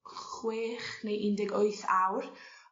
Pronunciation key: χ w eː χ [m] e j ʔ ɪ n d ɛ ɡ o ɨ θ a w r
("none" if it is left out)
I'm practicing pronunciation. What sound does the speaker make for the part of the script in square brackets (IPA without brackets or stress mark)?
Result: n